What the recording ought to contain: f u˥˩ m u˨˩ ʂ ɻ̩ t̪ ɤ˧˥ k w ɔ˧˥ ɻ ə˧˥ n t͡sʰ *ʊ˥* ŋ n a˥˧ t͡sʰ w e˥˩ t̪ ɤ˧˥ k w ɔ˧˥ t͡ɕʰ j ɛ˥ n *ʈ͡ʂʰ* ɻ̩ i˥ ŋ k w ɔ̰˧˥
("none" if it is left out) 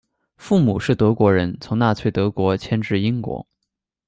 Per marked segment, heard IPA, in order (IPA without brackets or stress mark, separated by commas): ʊ˧˥, ʈ͡ʂ